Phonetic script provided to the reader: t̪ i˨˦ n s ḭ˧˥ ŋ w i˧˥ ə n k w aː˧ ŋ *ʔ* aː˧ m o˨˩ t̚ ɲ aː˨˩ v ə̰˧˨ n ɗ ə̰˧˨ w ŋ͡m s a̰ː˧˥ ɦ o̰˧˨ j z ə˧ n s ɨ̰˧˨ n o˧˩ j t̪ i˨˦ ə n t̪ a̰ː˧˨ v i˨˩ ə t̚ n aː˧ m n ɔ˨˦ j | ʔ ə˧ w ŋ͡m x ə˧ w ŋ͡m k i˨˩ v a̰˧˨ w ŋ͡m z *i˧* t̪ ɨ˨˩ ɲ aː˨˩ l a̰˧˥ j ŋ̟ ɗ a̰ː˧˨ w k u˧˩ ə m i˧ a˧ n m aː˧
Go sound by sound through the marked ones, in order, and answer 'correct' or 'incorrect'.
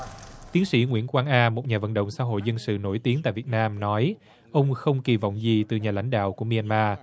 correct, incorrect: i˨˩

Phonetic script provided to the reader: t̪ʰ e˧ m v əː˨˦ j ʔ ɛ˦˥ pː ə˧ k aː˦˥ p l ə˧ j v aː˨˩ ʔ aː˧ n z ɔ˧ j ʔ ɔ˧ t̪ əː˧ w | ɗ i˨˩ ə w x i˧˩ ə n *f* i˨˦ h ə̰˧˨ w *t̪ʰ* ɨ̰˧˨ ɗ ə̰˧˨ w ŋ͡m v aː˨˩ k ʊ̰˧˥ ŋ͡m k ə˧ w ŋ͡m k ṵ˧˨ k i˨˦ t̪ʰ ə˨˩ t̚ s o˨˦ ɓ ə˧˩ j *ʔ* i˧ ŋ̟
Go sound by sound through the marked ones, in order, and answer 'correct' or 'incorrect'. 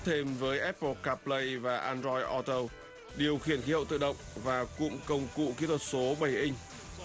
incorrect: x, incorrect: t̪, correct

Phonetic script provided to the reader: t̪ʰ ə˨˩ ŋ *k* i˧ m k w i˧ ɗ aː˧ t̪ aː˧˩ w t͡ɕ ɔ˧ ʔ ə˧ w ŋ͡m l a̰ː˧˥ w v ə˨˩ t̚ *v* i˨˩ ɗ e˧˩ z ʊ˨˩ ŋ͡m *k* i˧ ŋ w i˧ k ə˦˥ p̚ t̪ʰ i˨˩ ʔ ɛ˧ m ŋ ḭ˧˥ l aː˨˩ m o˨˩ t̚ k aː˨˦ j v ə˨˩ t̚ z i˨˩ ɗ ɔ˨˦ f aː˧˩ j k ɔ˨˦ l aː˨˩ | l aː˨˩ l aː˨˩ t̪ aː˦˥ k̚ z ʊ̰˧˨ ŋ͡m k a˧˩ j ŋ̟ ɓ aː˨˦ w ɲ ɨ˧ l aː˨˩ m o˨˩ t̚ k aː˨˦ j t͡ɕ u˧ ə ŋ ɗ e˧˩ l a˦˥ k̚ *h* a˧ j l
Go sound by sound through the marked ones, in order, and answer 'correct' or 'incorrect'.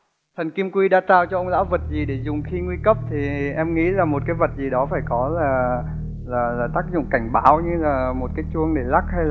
correct, incorrect: z, incorrect: x, correct

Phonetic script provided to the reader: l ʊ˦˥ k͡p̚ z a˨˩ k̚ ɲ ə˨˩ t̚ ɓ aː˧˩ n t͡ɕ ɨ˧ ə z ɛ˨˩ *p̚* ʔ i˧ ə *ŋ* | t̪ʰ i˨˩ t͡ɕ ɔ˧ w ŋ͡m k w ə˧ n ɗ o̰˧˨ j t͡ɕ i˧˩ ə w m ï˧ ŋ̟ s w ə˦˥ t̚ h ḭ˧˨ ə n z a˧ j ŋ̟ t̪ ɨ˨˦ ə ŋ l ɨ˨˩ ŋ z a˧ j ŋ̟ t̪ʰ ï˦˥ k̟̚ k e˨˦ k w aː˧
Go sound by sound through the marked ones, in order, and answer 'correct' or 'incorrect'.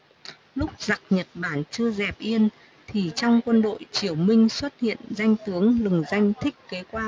correct, incorrect: n

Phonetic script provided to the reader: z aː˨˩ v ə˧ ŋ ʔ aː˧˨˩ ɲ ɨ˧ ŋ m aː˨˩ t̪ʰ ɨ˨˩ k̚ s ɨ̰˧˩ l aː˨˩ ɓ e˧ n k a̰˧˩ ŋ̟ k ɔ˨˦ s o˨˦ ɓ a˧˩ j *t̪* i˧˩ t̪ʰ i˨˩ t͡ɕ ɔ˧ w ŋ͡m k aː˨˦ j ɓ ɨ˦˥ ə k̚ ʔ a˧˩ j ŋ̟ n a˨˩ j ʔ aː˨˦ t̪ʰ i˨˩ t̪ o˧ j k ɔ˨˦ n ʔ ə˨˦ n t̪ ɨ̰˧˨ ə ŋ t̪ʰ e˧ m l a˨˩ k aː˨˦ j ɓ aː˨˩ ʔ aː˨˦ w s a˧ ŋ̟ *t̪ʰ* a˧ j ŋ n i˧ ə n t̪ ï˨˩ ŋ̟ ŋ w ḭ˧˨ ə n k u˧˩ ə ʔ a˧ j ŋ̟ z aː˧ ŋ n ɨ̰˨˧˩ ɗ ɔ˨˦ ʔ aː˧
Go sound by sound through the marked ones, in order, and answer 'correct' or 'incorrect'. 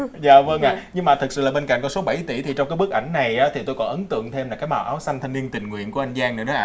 correct, correct

